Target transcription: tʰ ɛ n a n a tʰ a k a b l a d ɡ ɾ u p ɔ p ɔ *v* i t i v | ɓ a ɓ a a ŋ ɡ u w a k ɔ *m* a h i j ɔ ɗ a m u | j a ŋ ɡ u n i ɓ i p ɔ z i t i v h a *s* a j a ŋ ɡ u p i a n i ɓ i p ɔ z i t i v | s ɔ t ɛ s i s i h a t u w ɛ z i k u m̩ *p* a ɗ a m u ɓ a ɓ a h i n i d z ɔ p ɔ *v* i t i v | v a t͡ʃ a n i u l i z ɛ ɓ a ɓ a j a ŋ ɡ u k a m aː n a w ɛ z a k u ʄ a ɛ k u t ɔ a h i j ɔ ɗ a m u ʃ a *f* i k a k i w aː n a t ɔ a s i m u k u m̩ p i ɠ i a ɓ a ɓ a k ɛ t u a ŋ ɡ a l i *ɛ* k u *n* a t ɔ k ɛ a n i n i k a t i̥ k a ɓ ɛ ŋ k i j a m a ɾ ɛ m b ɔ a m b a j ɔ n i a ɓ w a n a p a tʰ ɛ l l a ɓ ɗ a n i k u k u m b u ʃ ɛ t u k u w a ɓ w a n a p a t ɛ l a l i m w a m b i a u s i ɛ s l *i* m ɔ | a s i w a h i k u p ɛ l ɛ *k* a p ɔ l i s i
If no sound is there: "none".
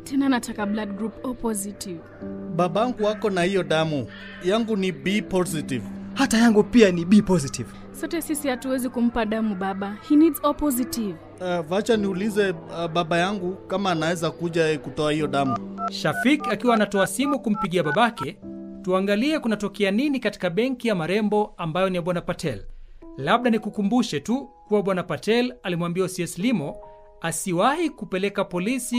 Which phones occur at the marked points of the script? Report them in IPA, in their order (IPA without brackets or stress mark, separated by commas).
z, n, t, p, z, f, ɛ, n, i, k